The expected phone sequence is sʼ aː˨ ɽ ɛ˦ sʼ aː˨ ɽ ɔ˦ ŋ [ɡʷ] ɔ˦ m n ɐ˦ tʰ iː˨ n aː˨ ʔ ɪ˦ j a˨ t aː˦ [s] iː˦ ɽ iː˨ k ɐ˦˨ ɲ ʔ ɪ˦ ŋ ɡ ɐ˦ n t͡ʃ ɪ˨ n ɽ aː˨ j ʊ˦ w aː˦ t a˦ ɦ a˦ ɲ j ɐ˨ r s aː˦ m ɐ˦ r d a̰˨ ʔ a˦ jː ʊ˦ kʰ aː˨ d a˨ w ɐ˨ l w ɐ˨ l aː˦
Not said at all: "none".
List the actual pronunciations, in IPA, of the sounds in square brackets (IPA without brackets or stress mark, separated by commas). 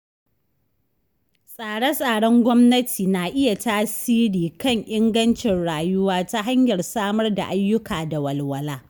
ɡʷ, s